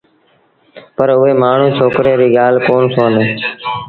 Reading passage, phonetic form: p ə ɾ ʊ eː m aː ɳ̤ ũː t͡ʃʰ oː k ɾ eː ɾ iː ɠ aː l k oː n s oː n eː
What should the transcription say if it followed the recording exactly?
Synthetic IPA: p ə ɾ ʊ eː m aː ɳ̤ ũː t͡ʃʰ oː k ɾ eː ɾ iː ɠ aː l k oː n s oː n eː